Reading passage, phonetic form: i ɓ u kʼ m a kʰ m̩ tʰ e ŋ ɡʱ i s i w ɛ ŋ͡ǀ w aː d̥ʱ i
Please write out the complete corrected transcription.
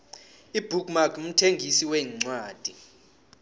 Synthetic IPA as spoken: i b u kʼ m a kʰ m̩ tʰ e ŋ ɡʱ i s i w ɛ ŋ͡ǀ w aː d̥ʱ i